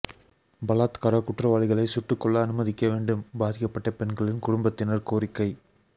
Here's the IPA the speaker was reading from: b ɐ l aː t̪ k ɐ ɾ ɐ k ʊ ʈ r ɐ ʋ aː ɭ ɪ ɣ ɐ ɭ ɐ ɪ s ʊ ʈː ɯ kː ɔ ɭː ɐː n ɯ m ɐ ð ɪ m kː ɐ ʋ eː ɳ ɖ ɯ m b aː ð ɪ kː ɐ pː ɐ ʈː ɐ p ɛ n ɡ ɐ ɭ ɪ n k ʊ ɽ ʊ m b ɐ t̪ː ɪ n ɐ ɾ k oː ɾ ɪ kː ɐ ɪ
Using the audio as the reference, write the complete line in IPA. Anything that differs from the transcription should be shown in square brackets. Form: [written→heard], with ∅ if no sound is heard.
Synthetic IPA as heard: b ɐ l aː t̪ k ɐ ɾ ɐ k ʊ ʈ r ɐ ʋ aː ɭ ɪ ɣ ɐ ɭ ɐ ɪ s ʊ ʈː ɯ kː ɔ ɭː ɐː n ɯ m ɐ ð ɪ [m→∅] kː ɐ ʋ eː ɳ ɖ ɯ m b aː ð ɪ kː ɐ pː ɐ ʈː ɐ p ɛ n ɡ ɐ ɭ ɪ n k ʊ ɽ ʊ m b ɐ t̪ː ɪ n ɐ ɾ k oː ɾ ɪ kː ɐ ɪ